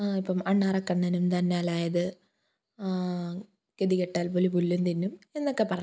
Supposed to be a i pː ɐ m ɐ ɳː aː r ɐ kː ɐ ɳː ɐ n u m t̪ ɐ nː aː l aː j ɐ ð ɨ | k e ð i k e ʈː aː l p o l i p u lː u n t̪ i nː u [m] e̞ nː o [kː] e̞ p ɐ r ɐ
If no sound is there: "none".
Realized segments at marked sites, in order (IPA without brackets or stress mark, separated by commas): m, kː